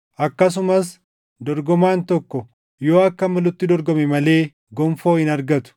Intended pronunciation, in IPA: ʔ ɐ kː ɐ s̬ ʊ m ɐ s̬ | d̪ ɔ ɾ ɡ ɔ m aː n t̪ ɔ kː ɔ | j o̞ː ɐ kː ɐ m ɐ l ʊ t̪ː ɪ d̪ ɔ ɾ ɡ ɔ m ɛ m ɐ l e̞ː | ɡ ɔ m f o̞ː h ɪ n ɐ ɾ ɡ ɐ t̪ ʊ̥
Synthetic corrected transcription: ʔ ɐ kː ɐ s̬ ʊ m ɐ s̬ | d̪ ɔ ɾ ɡ ɔ m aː n t̪ ɔ kː ɔ | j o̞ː ɐ kː ɐ m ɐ l ʊ t̪ː ɪ d̪ ɔ ɾ ɡ ɔ m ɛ m ɐ l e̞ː | ɡ ɔ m f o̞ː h ɪ n ɐ ɾ ɡ ɐ t̪ ʊ̥